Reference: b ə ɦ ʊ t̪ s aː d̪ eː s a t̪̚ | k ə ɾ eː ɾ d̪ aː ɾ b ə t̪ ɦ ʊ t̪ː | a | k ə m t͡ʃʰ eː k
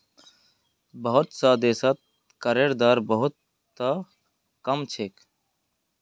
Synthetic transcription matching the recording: b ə ɦ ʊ t̪ s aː d̪ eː s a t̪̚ | k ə ɾ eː ɾ d̪ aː ɾ b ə ɦ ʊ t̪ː | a | k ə m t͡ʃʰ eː k